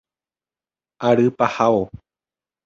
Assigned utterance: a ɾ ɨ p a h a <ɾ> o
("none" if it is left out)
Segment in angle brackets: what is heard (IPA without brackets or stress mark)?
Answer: none